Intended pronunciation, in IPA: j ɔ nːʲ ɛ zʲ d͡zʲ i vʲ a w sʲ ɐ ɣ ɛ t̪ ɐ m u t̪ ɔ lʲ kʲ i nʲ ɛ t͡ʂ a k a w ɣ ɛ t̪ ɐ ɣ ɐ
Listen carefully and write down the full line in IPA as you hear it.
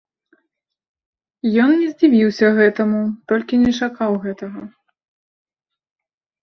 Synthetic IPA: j ɔ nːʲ ɛ zʲ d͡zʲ i vʲ i w sʲ ɐ ɣ ɛ t̪ ɐ m u t̪ ɔ lʲ kʲ i nʲ ɛ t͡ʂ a k a w ɣ ɛ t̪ ɐ ɣ ɐ